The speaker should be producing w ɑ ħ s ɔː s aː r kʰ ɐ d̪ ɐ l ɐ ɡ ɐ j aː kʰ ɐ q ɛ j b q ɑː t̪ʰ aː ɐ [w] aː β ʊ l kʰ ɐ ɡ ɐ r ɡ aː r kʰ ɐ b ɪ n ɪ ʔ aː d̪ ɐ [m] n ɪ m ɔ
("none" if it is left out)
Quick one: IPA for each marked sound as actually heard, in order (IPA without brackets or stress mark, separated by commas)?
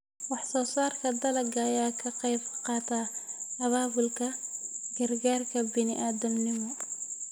β, m